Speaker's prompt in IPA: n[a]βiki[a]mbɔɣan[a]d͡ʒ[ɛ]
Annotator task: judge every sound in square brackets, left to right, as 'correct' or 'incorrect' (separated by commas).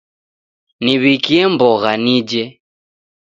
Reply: incorrect, incorrect, incorrect, correct